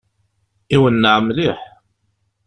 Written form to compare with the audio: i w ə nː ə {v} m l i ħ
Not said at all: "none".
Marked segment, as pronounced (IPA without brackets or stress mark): ʕ